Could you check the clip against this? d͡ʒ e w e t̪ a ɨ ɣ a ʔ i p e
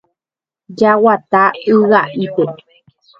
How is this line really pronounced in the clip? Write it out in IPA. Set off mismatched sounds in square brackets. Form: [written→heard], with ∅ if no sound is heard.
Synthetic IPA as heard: d͡ʒ [e→a] w [e→a] t̪ a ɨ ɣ a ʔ i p e